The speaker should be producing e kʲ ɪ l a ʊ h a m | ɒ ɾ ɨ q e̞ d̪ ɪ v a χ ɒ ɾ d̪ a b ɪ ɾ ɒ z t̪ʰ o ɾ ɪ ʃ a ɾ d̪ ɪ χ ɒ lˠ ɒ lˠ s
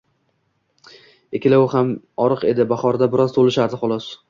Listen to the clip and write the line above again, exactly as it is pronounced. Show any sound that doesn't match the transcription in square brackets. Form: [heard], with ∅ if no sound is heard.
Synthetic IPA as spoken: e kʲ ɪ l a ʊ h a m | ɒ ɾ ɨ q e̞ d̪ ɪ [b] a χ ɒ ɾ d̪ a b ɪ ɾ ɒ z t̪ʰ o [l] ɪ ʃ a ɾ d̪ ɪ χ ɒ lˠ ɒ [∅] s